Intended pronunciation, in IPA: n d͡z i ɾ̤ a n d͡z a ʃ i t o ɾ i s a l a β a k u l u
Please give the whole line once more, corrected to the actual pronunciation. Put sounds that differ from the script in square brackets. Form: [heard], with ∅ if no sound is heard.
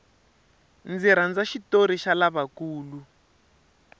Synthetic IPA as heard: n d͡z i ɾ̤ a n d͡z a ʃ i t o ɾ i [ʃ] a l a β a k [uː] l u